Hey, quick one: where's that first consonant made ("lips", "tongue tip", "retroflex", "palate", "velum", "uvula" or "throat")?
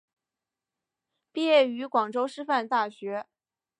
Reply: lips